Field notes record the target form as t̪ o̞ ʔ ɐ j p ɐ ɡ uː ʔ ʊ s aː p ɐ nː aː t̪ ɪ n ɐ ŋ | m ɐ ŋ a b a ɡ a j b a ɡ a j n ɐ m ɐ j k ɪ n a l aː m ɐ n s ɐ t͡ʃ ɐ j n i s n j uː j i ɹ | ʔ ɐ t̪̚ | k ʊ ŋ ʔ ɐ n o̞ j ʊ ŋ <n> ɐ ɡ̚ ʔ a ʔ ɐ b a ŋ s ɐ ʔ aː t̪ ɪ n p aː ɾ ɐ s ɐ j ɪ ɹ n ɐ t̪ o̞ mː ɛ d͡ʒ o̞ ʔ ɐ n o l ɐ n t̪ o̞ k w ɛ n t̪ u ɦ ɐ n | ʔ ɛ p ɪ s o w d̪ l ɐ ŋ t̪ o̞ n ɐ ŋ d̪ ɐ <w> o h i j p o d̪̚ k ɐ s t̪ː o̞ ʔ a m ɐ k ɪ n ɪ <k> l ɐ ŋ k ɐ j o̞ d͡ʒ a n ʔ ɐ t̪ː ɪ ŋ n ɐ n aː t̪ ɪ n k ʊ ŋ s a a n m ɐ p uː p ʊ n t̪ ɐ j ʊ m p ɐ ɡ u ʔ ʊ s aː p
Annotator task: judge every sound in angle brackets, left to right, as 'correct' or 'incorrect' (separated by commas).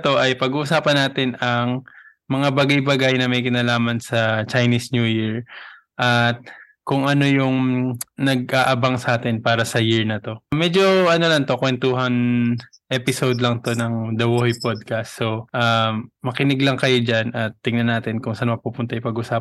correct, correct, incorrect